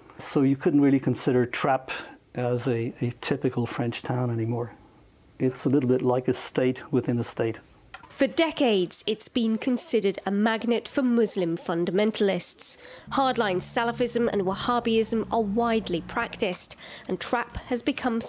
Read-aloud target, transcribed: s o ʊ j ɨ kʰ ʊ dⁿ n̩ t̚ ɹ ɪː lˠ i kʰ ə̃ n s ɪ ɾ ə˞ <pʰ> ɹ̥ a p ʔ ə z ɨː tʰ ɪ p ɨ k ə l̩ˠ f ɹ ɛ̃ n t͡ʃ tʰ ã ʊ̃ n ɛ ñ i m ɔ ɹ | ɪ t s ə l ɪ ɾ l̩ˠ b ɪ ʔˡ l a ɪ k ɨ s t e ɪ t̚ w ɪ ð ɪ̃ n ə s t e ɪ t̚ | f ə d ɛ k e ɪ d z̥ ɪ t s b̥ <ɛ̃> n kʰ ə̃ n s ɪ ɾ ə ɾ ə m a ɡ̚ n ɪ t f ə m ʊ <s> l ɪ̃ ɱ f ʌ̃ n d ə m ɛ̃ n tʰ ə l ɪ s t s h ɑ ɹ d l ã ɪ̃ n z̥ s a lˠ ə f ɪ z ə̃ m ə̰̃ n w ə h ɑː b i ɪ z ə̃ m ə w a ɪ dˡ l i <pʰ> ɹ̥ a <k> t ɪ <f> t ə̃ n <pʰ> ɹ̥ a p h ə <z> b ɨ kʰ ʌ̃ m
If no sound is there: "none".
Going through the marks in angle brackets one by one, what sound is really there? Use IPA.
tʰ, ĩ, z, pʰ, k, s, tʰ, z

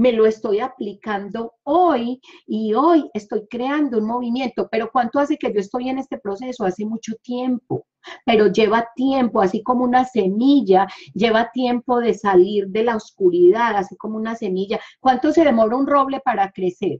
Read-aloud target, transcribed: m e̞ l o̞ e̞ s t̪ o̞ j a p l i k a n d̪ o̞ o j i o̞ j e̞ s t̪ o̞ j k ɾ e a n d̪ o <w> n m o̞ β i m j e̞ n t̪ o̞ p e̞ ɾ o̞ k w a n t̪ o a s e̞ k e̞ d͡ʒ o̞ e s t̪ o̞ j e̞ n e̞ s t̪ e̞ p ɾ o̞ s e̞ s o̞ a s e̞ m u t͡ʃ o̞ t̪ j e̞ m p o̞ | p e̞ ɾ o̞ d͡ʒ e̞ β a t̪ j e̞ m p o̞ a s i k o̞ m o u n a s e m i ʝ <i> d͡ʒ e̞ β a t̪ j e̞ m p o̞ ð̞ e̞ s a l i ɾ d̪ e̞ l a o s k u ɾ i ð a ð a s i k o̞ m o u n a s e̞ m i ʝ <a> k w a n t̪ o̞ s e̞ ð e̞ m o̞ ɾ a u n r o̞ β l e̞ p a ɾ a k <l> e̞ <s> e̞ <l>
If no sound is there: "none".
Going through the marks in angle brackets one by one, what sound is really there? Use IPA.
u, a, a, ɾ, s, ɾ

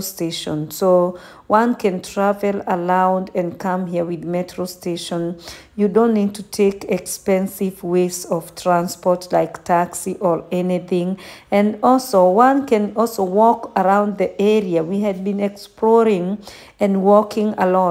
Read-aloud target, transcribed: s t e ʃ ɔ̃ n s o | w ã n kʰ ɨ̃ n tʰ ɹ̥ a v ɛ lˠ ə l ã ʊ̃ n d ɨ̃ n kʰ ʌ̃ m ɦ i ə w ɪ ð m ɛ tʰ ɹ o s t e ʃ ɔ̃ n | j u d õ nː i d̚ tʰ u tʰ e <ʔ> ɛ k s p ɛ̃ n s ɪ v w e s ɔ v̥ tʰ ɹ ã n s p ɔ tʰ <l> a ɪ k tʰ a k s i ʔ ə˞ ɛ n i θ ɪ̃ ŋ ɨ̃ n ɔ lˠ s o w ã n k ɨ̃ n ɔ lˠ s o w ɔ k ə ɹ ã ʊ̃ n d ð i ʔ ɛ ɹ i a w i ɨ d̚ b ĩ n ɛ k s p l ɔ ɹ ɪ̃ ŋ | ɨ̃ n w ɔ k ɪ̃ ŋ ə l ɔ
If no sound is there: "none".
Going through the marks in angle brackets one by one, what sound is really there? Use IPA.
k, l

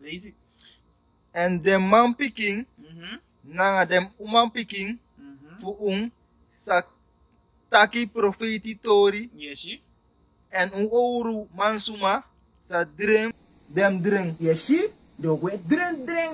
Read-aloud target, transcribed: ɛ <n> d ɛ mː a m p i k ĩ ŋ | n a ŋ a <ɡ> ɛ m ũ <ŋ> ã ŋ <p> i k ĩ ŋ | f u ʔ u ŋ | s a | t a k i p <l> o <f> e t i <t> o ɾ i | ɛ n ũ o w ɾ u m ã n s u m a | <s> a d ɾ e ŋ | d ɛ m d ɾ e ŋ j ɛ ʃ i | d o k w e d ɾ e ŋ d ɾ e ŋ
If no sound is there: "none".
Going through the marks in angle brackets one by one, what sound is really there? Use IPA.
n, d, m, p, ɾ, f, t, s

